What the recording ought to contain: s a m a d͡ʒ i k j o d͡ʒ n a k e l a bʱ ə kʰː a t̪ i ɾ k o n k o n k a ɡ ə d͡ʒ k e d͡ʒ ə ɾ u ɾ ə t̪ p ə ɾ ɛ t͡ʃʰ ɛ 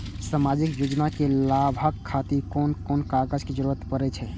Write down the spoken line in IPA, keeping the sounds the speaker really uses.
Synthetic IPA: s a m a d͡ʒ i k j o d͡ʒ n a k e l a bʱ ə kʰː a t̪ i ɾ k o n k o n k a ɡ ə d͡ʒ k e d͡ʒ ə ɾ u ɾ ə t̪ p ə ɾ ɛ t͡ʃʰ ɛ

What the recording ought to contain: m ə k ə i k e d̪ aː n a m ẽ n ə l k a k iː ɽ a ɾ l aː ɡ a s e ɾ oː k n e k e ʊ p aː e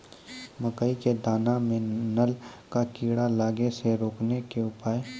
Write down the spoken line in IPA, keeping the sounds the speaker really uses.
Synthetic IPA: m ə k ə i k e d̪ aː n a m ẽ n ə l k a k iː ɽ a l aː ɡ e s e ɾ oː k n e k e ʊ p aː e

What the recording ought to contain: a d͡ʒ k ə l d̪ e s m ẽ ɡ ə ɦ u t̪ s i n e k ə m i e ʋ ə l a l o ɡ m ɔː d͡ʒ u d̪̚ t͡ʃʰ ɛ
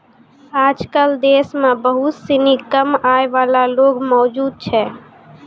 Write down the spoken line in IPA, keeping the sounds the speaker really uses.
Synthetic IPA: a d͡ʒ k ə l d̪ e s m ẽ b ə ɦ u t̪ s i n i k ə m a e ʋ a l a l o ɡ m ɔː d͡ʒ u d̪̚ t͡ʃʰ ɛ

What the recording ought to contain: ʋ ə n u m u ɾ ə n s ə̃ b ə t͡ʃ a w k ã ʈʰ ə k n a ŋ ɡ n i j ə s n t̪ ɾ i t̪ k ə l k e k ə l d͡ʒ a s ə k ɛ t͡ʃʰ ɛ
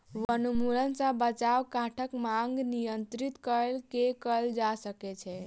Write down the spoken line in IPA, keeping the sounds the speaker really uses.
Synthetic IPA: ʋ ə n u m u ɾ ə n s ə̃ b ə t͡ʃ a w k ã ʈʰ ə k m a ŋ ɡ n i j ə n t̪ ɾ i t̪ k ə l k e k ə l d͡ʒ a s ə k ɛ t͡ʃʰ ɛ

